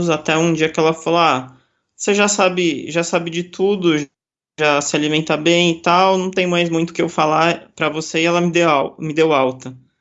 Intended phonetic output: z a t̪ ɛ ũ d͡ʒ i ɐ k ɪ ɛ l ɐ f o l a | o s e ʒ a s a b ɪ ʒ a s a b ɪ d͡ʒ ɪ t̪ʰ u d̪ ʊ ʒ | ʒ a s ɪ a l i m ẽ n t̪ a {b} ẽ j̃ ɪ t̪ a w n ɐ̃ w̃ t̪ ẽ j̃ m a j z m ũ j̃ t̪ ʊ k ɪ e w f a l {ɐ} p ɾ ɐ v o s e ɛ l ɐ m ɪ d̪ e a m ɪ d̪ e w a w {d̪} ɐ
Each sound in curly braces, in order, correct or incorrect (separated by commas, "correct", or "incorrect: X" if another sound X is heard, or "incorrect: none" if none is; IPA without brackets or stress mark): correct, incorrect: a, incorrect: t̪